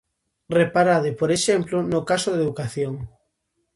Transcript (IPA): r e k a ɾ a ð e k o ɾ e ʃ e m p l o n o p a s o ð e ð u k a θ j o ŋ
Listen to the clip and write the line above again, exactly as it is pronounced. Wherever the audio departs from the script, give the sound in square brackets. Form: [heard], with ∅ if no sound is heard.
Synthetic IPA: r e [p] a ɾ a ð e [p] o ɾ e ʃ e m p l o n o [k] a s o ð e ð u k a θ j o ŋ